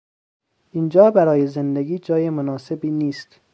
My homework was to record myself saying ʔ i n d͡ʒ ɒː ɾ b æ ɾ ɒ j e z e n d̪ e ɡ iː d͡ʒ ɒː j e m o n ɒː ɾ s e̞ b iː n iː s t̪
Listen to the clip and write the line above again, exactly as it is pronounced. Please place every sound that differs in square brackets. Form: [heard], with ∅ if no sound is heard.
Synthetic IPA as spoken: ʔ i n d͡ʒ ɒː [∅] b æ ɾ [ɒː] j e z e n d̪ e ɡ iː d͡ʒ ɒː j e m o n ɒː [∅] s e̞ b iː n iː s t̪